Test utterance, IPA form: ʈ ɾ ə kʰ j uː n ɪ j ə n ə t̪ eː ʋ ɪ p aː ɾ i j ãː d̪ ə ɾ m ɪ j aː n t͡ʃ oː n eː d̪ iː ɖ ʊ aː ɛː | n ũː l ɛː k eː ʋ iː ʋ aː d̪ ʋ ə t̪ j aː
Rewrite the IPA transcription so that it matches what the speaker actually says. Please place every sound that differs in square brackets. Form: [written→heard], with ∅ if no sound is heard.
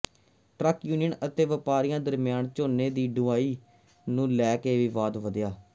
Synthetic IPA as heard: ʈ ɾ ə [kʰ→k] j uː n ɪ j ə n ə t̪ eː ʋ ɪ p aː ɾ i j ãː d̪ ə ɾ m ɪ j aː n t͡ʃ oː n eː d̪ iː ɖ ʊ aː [ɛː→iː] | n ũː l ɛː k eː ʋ iː ʋ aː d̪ ʋ ə [t̪→d̪] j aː